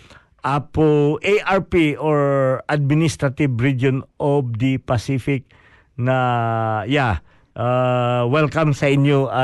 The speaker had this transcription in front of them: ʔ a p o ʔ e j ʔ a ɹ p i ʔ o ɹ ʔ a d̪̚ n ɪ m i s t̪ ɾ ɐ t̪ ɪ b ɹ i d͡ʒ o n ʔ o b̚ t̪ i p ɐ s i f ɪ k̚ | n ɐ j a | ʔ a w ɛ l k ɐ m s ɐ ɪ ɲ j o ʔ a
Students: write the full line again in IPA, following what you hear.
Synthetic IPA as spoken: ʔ a p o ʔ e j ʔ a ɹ p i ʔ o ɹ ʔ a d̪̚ m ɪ n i s t̪ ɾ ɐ t̪ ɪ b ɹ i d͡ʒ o n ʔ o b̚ d̪ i p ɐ s i f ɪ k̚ | n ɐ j a | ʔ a w ɛ l k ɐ m s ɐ ɪ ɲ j o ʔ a